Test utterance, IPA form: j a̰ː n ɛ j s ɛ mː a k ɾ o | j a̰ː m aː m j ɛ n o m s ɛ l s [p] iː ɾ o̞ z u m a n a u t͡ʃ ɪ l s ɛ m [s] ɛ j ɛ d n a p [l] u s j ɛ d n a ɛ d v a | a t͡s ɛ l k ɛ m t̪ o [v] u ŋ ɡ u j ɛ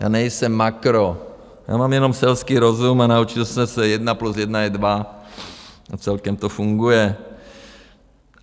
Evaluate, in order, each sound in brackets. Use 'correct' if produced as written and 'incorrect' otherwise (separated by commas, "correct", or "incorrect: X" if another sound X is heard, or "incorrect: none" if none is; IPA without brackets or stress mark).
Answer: incorrect: k, correct, correct, incorrect: f